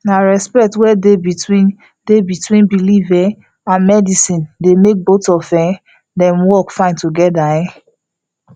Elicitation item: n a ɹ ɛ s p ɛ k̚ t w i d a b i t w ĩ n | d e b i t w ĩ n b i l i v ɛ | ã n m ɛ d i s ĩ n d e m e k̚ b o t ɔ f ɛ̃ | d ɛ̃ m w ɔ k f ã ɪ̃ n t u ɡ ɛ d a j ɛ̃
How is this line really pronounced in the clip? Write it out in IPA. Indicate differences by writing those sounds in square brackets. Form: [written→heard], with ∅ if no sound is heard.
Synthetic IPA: n a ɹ ɛ s p ɛ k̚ t w [i→ɛ] d [a→e] b i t w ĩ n | d e b i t w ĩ n b i l i v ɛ | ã n m ɛ d i s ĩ n d e m e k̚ b o t ɔ f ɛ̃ | d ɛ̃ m w ɔ k f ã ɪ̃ n t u ɡ ɛ d a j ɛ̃